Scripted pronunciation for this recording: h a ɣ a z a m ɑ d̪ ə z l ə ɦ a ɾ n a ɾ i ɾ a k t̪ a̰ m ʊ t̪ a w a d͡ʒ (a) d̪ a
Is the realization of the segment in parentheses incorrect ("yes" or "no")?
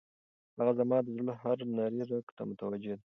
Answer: yes